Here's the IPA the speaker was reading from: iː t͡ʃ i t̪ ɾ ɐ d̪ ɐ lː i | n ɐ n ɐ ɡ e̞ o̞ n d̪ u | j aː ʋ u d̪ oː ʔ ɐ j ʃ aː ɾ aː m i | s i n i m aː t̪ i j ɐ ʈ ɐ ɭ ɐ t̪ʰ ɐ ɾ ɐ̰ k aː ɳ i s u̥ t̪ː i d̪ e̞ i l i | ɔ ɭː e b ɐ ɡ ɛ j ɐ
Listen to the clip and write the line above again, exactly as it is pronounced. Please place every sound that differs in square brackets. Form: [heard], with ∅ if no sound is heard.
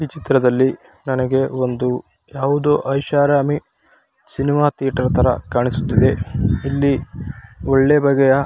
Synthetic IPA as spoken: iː t͡ʃ i t̪ ɾ ɐ d̪ ɐ lː i | n ɐ n ɐ ɡ e̞ o̞ n d̪ u | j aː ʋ u d̪ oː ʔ ɐ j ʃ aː ɾ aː m i | s i n i m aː t̪ i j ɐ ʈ ɐ [ɾ] ɐ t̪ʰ ɐ ɾ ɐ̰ k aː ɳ i s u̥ t̪ː i d̪ e̞ i [lː] i | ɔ ɭː e b ɐ ɡ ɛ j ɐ